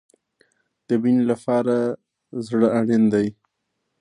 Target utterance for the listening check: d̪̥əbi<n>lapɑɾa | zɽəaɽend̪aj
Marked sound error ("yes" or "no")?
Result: no